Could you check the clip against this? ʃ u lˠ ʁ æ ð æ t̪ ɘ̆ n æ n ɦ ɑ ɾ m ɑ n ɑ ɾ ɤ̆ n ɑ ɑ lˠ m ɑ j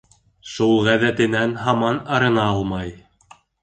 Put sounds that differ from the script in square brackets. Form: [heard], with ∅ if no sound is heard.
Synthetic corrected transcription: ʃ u lˠ ʁ æ ð æ t̪ ɘ̆ n æ n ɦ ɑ [∅] m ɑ n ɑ ɾ ɤ̆ n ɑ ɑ lˠ m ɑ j